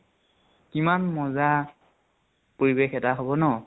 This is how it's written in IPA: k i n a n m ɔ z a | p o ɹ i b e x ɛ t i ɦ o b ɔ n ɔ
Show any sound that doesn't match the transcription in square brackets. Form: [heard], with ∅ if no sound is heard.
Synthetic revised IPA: k i [m] a n m ɔ z a | p o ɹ i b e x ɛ t [a] ɦ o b ɔ n ɔ